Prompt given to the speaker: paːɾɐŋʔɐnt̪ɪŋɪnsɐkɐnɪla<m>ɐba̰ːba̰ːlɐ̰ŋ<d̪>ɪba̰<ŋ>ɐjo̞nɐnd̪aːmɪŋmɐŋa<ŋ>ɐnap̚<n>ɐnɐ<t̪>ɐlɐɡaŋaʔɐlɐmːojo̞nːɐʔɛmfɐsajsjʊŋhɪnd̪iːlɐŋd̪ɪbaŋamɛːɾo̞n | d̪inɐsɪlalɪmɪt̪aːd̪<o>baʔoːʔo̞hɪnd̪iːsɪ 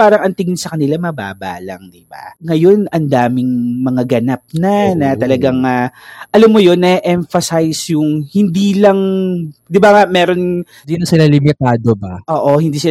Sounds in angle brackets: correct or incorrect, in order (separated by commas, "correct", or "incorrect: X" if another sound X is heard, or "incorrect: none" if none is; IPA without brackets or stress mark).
correct, correct, correct, incorrect: ɡ, correct, correct, correct